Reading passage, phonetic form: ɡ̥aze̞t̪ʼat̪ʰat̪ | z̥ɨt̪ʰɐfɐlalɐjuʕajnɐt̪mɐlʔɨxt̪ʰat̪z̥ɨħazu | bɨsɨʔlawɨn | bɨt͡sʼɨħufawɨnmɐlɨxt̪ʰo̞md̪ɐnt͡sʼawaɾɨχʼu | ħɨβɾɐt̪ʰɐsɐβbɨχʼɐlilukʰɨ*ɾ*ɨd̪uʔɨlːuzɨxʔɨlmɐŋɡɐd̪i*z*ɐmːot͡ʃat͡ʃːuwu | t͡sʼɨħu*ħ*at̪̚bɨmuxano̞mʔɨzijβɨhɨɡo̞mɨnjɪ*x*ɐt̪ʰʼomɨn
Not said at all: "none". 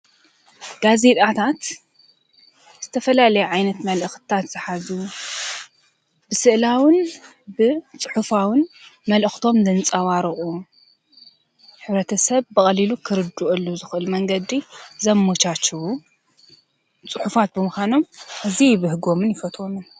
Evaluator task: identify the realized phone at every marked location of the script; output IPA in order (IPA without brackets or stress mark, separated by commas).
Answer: ɾ, z, f, f